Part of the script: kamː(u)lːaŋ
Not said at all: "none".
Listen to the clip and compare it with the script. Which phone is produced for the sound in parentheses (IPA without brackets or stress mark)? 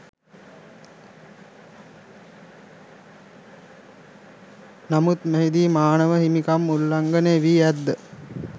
u